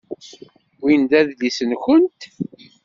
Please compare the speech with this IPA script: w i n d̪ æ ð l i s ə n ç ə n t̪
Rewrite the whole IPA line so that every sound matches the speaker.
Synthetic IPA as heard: w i n d̪ æ ð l i s ə n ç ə n t̪